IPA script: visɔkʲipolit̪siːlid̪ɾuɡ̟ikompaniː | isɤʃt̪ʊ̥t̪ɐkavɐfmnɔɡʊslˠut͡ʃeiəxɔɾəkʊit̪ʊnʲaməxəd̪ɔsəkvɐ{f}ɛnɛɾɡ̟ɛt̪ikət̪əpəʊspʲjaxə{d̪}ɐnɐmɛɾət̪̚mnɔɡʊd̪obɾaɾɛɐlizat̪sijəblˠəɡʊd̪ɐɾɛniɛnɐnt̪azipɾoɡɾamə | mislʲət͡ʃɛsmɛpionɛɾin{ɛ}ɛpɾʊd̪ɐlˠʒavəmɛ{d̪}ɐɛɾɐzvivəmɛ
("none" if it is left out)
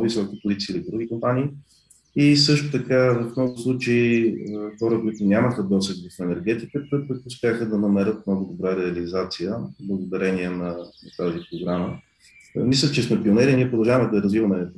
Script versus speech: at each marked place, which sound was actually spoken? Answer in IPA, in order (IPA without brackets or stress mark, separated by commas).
f, d̪, i, d̪